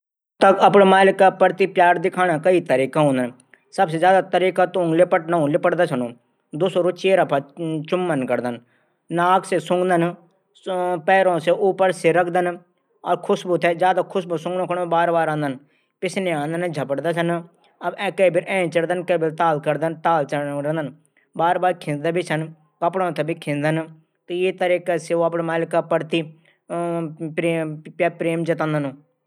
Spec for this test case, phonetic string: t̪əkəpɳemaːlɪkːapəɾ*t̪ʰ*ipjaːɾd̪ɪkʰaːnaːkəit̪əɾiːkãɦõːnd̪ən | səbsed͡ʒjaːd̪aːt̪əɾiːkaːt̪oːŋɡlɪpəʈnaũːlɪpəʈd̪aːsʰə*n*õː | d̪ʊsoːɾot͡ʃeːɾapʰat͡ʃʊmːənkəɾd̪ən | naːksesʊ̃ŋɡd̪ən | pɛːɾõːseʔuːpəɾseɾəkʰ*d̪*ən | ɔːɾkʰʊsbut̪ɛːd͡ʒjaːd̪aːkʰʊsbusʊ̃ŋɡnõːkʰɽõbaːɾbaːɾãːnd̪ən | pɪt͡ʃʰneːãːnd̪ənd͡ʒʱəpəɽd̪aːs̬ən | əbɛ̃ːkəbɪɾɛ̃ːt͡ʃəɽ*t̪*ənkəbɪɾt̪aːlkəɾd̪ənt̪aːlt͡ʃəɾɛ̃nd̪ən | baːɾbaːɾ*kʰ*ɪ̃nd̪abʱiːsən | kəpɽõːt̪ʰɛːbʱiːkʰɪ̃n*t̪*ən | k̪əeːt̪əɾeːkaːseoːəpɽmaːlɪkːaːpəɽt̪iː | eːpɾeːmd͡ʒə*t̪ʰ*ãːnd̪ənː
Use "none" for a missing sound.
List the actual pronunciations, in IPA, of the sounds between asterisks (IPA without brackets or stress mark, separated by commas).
t̪, n, d̪, d̪, kʰ, d̪, t̪